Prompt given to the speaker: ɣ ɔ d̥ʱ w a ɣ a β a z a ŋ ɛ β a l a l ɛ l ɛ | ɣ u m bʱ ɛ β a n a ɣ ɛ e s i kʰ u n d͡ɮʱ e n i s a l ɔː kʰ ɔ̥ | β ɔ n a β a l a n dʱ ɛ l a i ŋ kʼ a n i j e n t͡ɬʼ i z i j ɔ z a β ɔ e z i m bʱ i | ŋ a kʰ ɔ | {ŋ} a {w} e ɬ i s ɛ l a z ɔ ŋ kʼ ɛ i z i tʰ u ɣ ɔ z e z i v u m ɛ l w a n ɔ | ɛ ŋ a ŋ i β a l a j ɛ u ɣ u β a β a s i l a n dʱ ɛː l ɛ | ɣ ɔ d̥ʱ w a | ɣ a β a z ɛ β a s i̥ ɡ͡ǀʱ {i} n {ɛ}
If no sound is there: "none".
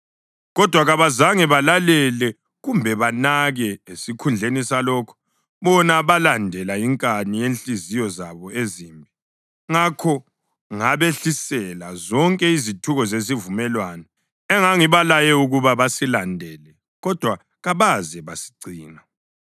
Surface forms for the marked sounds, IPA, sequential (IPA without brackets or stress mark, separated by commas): ŋ, β, iː, a